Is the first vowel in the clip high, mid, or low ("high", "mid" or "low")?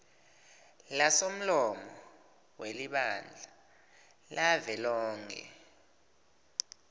low